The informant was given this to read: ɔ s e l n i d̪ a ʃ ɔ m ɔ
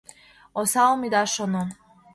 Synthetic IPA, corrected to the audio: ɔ s a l m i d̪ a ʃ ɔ n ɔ